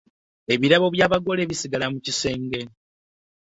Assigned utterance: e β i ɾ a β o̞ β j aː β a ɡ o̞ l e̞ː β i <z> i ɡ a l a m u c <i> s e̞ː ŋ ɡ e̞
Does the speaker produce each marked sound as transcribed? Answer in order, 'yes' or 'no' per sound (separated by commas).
no, yes